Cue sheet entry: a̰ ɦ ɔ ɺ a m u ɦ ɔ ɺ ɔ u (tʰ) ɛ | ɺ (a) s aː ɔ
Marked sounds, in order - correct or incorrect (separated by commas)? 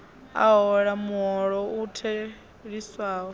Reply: correct, incorrect